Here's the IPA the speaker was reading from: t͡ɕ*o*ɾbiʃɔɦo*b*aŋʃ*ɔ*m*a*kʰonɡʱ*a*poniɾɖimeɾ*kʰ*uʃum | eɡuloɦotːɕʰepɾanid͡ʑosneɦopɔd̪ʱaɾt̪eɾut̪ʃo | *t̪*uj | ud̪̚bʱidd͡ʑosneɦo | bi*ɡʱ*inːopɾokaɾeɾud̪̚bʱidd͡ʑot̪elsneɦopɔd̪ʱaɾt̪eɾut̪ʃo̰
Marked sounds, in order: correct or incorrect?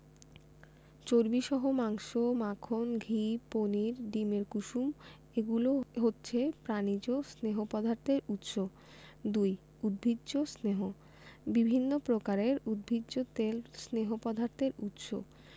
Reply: correct, incorrect, incorrect, correct, incorrect, incorrect, incorrect, incorrect

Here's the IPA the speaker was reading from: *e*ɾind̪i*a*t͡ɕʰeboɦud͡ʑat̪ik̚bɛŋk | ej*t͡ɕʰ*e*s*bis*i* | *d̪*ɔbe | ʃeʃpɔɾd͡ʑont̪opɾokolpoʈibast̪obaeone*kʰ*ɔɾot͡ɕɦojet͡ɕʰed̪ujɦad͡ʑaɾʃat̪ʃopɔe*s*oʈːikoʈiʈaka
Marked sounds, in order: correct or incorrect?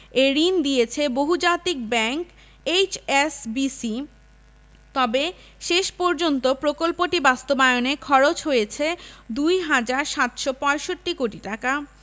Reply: correct, incorrect, incorrect, correct, correct, incorrect, correct, incorrect

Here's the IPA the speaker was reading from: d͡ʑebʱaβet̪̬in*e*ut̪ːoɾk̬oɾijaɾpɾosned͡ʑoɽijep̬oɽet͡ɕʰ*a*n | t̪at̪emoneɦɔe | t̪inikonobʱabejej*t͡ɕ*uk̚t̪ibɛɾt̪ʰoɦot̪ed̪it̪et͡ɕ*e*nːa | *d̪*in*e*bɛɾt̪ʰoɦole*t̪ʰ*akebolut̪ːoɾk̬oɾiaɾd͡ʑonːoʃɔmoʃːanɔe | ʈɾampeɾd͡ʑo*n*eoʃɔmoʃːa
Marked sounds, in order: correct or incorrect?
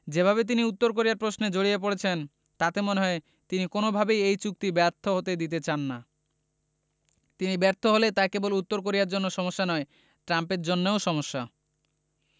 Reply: incorrect, incorrect, correct, incorrect, incorrect, incorrect, incorrect, incorrect

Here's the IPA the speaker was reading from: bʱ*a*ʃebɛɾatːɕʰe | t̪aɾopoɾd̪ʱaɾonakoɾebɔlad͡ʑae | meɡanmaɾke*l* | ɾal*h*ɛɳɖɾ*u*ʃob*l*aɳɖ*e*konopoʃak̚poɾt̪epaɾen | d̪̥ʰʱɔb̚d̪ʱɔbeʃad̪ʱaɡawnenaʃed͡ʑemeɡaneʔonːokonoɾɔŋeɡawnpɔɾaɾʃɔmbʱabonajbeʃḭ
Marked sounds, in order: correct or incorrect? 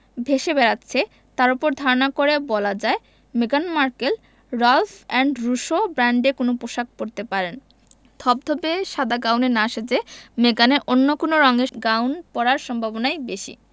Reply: incorrect, correct, incorrect, correct, incorrect, correct

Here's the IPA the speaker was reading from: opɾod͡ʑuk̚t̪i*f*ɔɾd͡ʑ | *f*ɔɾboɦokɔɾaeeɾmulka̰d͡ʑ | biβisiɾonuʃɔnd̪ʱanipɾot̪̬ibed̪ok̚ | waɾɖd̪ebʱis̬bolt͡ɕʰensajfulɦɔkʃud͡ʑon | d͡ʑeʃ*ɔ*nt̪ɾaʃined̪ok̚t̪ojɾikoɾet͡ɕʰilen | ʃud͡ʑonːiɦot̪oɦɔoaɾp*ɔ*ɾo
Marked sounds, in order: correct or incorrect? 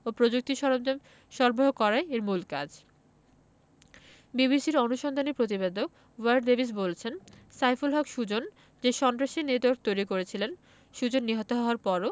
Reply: incorrect, incorrect, correct, correct

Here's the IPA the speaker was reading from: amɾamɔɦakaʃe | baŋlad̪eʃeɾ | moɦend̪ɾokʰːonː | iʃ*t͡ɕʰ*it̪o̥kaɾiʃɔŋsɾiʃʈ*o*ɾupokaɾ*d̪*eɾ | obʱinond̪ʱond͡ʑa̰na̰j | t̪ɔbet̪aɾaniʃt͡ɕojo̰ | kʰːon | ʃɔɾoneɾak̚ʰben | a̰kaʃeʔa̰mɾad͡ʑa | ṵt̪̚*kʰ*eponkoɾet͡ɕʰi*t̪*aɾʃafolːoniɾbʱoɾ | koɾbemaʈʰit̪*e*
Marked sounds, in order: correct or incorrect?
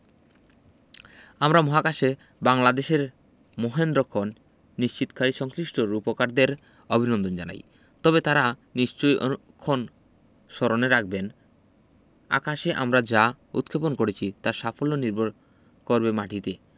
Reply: incorrect, correct, correct, correct, correct, correct

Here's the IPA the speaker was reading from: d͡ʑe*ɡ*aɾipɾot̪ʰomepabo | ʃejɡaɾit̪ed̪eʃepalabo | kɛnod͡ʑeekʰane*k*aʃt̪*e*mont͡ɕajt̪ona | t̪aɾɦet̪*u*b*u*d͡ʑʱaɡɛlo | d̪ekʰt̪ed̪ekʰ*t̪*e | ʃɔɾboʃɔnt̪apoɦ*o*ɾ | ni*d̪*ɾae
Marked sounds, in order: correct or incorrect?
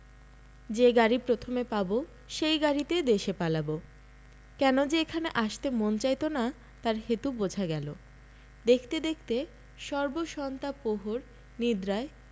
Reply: correct, incorrect, correct, correct, incorrect, correct, correct, correct

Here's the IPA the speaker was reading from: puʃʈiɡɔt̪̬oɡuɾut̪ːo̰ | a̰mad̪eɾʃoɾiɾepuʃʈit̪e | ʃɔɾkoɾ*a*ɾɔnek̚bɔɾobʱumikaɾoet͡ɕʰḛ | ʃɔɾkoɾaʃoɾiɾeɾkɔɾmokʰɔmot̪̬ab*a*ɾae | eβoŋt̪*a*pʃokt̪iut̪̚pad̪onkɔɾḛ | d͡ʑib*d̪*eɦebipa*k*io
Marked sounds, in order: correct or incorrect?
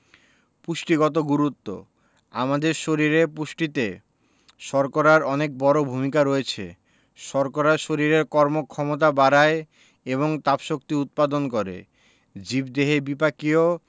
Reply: correct, correct, correct, correct, correct

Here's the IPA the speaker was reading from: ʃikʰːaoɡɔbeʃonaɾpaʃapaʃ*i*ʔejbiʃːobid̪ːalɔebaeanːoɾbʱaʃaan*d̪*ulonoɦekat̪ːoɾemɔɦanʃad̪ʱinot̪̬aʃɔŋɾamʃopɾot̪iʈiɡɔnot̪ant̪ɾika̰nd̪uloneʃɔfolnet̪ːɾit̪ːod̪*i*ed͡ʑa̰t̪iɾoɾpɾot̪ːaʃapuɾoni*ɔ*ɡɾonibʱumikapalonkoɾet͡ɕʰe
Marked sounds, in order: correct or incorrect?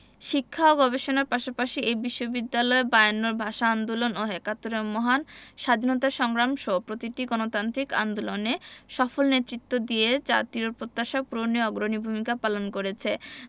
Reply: correct, correct, correct, correct

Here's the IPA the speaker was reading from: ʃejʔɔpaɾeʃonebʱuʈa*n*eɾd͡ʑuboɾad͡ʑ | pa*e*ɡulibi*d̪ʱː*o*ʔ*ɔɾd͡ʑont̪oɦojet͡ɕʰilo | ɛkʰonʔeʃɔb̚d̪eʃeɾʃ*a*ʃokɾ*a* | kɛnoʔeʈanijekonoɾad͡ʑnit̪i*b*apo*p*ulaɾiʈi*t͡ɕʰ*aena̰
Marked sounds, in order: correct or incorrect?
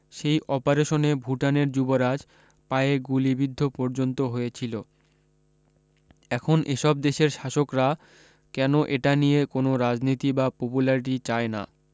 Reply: correct, correct, correct, incorrect, correct, correct, correct, correct, incorrect

